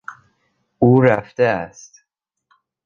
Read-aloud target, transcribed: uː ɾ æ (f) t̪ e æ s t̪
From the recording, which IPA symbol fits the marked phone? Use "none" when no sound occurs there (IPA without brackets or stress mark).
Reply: f